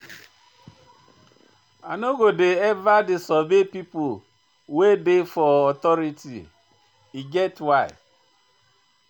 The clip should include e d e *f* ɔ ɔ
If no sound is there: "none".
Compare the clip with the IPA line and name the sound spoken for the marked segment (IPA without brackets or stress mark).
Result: f